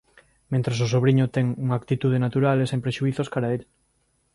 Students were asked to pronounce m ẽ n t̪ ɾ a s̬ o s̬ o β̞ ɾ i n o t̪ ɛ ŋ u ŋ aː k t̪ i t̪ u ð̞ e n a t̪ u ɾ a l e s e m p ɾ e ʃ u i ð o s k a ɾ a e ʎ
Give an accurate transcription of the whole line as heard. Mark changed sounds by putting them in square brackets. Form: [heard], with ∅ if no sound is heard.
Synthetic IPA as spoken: m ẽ n t̪ ɾ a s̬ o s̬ o β̞ ɾ i [ɲ] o t̪ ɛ ŋ u ŋ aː k t̪ i t̪ u ð̞ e n a t̪ u ɾ a l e s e m p ɾ e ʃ u i [θ] o s k a ɾ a e ʎ